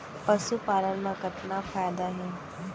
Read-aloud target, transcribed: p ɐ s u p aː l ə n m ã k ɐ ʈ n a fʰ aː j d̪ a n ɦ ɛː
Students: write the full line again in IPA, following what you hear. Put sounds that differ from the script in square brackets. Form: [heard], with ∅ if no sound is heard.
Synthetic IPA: p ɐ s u p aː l ə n m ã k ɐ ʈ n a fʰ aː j d̪ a [∅] ɦ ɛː